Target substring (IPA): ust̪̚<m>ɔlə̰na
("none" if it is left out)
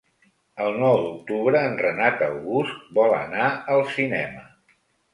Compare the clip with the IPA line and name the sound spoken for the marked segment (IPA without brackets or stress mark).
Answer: b